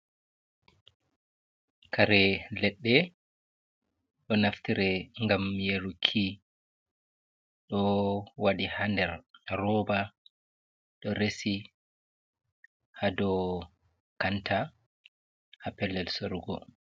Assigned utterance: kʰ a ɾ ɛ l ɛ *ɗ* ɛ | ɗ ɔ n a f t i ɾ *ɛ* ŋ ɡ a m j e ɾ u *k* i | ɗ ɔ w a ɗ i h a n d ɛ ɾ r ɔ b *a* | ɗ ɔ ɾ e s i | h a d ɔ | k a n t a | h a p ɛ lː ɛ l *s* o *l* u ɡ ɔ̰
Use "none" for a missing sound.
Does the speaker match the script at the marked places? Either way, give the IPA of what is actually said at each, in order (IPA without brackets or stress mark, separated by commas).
ɗː, ɛ, kʰ, a, s, ɾ